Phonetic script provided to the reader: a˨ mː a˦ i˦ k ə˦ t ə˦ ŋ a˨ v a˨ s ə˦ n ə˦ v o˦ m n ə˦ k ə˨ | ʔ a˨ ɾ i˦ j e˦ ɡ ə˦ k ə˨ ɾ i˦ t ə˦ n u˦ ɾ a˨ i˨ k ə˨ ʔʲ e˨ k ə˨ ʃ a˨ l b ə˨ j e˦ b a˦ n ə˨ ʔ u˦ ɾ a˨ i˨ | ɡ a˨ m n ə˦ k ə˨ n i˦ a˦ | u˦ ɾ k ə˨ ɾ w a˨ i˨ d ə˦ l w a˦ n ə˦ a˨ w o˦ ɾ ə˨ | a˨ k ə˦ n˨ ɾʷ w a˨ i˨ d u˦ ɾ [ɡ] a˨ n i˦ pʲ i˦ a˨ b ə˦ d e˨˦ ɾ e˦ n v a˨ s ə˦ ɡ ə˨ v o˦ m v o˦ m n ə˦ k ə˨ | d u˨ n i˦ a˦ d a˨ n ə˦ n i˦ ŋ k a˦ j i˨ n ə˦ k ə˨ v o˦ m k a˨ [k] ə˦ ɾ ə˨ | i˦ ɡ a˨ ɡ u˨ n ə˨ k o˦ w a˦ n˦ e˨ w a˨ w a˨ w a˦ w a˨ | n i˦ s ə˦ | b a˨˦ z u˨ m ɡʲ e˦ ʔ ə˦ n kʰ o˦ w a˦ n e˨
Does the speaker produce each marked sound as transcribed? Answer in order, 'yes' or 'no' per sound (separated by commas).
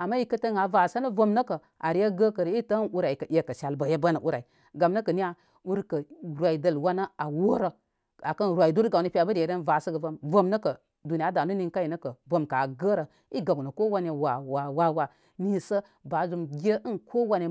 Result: yes, no